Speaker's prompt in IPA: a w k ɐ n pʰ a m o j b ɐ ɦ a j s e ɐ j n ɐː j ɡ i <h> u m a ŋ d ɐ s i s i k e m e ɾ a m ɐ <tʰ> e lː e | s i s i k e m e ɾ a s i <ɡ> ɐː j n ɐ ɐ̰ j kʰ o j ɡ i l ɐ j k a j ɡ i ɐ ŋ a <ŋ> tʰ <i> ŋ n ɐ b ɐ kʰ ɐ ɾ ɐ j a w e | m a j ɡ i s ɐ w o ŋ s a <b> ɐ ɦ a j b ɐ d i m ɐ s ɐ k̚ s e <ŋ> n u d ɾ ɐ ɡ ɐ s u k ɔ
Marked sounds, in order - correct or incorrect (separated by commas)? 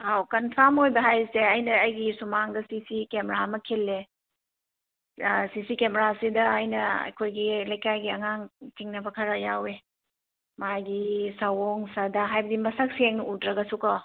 incorrect, incorrect, incorrect, correct, correct, incorrect, correct